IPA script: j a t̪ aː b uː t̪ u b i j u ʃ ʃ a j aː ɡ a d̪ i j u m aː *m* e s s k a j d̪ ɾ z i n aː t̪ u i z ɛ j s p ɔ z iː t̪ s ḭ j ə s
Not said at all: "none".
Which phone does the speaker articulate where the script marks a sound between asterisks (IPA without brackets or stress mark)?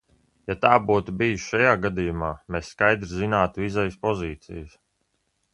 m